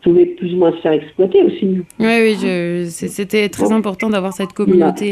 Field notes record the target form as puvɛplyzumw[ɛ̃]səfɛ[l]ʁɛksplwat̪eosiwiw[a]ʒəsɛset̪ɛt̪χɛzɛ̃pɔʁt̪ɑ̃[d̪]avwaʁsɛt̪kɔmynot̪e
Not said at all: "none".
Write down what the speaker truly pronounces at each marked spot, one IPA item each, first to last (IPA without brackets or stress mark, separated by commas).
ɛ̃, none, i, d̪